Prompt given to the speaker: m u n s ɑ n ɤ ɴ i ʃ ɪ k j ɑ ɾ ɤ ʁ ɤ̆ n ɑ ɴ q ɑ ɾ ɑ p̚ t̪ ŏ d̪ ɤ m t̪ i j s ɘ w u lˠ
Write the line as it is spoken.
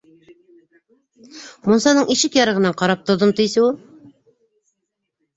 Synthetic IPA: m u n s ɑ n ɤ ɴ i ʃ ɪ k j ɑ ɾ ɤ ʁ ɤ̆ n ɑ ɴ q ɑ ɾ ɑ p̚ t̪ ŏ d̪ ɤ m t̪ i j s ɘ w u lˠ